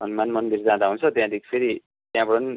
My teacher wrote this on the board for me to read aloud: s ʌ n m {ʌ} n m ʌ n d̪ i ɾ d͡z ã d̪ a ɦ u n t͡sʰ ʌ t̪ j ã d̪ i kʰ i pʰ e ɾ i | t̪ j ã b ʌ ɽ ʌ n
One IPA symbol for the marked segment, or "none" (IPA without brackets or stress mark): a